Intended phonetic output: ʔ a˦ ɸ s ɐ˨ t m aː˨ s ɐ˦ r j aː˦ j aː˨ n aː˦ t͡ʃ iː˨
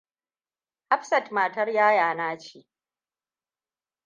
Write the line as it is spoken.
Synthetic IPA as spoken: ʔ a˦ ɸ s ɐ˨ t m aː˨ t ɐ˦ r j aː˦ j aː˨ n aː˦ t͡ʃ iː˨